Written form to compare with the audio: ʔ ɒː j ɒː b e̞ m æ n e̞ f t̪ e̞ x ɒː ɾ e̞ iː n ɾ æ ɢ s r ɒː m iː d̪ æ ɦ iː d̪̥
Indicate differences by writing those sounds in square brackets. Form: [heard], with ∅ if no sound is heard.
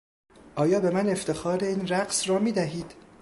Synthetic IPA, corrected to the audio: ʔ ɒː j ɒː b e̞ m æ n e̞ f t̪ e̞ x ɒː ɾ e̞ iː n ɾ æ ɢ s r ɒː m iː d̪ æ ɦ iː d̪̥